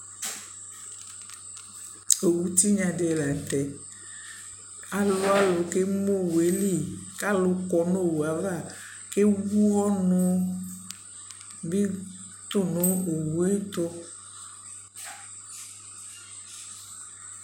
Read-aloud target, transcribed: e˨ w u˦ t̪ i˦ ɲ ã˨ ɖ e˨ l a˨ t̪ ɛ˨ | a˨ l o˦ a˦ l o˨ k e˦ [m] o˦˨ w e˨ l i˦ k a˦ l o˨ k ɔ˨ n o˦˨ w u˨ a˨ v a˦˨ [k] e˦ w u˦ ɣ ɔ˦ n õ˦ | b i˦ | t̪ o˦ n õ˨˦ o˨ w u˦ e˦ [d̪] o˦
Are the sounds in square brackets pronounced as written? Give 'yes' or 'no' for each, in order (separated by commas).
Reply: yes, yes, no